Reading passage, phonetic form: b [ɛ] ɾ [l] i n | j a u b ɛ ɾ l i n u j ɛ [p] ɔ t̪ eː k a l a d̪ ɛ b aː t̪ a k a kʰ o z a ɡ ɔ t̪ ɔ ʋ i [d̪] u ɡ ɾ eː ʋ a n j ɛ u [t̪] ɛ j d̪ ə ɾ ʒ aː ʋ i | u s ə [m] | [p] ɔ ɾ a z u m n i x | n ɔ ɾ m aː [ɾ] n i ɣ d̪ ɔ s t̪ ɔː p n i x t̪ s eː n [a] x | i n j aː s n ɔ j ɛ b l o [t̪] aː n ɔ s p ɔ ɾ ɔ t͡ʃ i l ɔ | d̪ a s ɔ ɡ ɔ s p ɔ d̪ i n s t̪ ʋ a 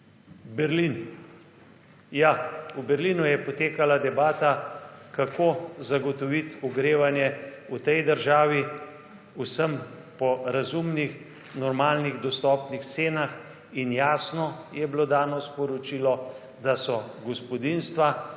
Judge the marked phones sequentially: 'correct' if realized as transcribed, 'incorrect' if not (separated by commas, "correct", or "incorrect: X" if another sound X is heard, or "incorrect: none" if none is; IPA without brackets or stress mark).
correct, correct, correct, incorrect: t̪, correct, correct, correct, incorrect: l, correct, incorrect: d̪